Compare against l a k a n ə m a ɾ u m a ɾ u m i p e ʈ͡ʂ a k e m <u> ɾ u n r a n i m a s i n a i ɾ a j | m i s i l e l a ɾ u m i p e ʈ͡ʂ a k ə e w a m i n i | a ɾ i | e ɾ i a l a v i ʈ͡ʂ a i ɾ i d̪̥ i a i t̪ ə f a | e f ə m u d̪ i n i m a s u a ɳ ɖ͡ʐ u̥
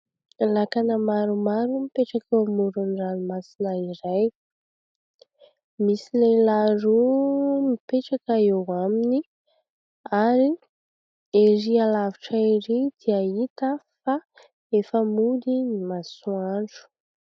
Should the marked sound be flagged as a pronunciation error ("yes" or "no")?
no